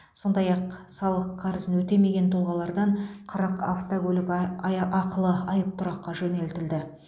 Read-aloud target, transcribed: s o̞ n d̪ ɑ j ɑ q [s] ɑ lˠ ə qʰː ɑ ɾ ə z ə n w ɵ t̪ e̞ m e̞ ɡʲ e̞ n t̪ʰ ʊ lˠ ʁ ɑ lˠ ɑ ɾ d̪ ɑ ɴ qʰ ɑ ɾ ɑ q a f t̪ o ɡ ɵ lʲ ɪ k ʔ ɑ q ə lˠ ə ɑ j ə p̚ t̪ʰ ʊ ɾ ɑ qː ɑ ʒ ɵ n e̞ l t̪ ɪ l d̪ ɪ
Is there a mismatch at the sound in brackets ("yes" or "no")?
no